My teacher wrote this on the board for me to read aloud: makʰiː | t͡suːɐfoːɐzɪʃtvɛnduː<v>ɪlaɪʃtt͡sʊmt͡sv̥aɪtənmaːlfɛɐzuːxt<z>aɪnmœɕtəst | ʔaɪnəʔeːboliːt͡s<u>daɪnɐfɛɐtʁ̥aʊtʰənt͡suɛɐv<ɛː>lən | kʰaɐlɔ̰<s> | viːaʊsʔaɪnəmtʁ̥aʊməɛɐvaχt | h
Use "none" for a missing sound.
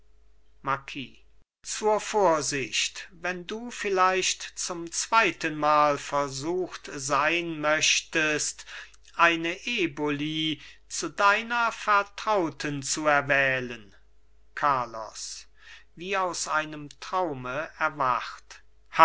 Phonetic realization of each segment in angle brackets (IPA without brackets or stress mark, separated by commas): f, z, u, ɛː, s